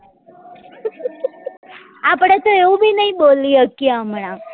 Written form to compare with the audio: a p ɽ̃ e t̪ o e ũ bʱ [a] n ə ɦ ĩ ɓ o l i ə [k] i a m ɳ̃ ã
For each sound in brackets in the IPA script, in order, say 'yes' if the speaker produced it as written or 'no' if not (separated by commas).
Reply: no, yes